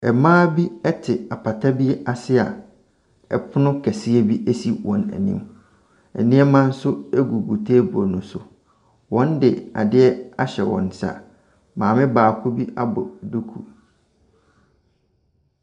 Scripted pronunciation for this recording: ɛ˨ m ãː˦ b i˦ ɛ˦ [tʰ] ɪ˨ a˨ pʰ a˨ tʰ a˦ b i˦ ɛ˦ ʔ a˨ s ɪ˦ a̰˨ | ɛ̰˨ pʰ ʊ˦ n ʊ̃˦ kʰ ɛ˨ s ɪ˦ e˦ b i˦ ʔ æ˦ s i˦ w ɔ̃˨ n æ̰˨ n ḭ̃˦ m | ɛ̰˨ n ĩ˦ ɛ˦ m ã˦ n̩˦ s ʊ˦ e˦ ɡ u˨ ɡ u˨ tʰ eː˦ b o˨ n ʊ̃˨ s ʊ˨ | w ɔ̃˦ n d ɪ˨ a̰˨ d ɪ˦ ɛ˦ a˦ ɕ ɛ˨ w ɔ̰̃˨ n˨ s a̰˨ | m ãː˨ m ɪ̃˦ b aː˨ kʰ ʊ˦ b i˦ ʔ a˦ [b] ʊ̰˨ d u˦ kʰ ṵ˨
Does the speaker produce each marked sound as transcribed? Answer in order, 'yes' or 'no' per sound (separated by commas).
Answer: yes, yes